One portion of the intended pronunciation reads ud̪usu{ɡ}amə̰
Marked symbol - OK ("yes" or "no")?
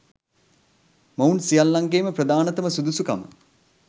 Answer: no